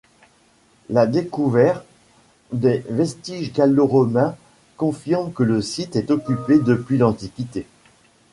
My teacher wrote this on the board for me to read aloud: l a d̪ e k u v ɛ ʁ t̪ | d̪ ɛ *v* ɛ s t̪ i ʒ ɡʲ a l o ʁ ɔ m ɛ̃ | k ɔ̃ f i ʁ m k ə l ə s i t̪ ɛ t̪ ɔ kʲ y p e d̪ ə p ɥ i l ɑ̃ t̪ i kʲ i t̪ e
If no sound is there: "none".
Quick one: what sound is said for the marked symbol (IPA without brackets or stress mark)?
v